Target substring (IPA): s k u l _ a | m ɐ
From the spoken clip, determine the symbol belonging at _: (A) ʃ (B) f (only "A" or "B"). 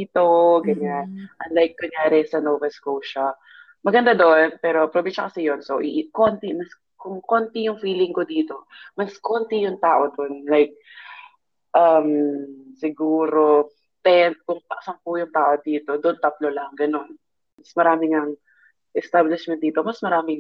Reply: A